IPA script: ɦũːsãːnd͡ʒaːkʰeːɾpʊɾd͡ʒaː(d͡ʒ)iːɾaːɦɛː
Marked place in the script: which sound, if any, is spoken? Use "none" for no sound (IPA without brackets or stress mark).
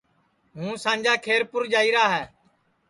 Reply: none